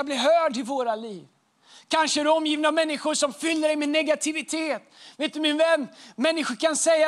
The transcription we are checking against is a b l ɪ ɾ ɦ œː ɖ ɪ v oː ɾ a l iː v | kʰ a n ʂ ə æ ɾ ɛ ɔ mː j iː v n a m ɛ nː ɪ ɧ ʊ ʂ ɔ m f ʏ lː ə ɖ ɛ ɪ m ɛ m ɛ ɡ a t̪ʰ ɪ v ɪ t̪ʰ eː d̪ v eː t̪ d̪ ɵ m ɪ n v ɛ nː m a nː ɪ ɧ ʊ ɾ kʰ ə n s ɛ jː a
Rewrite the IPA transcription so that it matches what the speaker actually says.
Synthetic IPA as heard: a b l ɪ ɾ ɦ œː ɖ ɪ v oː ɾ a l iː v | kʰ a n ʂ ə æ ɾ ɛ ɔ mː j iː v n a m ɛ nː ɪ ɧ ʊ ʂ ɔ m f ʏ lː ə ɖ ɛ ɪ m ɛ n ɛ ɡ a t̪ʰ ɪ v ɪ t̪ʰ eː t̪ v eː t̪ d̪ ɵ m ɪ n v ɛ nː m ɛ nː ɪ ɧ ʊ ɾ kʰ a n s ɛ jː a